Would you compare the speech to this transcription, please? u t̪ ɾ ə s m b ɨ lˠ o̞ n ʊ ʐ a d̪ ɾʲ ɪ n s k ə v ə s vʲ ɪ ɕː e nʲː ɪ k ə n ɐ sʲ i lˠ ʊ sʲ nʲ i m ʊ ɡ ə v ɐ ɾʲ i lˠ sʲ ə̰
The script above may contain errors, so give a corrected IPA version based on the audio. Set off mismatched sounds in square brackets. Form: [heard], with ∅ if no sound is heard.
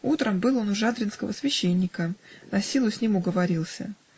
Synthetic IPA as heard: u t̪ ɾ ə [∅] m b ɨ lˠ o̞ n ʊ ʐ a d̪ ɾʲ ɪ n s k ə v ə s vʲ ɪ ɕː e nʲː ɪ k ə n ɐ sʲ i lˠ ʊ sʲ nʲ i m ʊ ɡ ə v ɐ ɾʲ i lˠ sʲ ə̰